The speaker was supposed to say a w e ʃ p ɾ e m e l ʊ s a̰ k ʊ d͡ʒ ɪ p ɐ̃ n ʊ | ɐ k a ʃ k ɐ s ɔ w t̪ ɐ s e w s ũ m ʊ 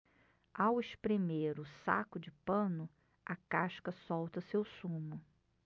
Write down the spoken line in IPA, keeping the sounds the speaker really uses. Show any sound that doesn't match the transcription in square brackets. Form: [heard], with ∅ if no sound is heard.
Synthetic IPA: a w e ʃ p ɾ e m e [ɾ] ʊ s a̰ k ʊ d͡ʒ ɪ p ɐ̃ n ʊ | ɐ k a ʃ k ɐ s ɔ w t̪ ɐ s e w s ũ m ʊ